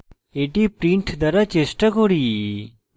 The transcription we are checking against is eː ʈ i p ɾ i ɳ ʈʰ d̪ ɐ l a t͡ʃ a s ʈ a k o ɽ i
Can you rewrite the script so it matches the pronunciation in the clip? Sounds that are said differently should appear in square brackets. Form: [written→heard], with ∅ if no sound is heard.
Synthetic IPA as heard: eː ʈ i p ɾ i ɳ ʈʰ d̪ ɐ [l→ɾ] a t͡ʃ [a→e] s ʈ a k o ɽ i